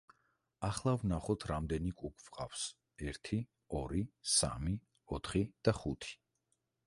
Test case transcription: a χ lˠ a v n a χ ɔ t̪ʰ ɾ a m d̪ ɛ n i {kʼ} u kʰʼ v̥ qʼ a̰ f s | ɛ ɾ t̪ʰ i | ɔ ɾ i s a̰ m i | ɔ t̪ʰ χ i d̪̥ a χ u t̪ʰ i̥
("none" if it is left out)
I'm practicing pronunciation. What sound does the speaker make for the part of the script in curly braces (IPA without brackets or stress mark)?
kʼ